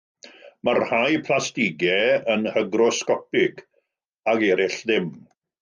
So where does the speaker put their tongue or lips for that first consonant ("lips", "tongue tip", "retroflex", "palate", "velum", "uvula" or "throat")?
lips